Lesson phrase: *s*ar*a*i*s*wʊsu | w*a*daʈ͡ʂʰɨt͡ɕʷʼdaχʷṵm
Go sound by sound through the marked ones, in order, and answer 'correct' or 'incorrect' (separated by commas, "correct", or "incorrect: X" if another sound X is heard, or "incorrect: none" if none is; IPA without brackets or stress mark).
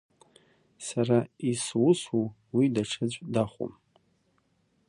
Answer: correct, correct, correct, incorrect: i